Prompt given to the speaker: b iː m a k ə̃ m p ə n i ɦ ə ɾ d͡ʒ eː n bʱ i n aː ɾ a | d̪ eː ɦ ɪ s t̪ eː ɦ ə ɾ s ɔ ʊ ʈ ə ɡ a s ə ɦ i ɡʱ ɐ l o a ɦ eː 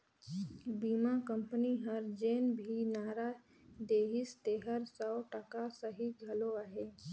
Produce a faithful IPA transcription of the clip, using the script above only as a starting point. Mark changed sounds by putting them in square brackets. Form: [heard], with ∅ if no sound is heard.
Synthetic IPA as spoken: b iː m a k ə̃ m p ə n i ɦ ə ɾ d͡ʒ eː n bʱ i n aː ɾ a | d̪ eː ɦ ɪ s t̪ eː ɦ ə ɾ s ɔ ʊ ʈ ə [k] a s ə ɦ i ɡʱ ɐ l o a ɦ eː